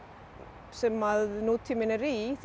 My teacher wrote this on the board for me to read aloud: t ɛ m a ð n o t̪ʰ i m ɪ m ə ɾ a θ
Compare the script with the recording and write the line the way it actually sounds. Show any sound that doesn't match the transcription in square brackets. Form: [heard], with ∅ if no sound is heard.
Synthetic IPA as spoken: [s] ɛ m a ð n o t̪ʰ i m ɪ [n] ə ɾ [i] θ